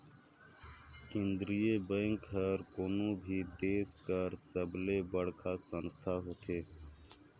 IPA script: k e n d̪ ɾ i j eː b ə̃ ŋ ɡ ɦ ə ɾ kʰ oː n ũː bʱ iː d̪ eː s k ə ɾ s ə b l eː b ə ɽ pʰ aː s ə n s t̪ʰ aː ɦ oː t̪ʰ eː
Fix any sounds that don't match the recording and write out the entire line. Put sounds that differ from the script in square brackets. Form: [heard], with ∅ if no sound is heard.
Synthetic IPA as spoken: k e n d̪ ɾ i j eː b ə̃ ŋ [k] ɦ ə ɾ [k] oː n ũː bʱ iː d̪ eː s k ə ɾ s ə b l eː b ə ɽ [kʰ] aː s ə n s t̪ʰ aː ɦ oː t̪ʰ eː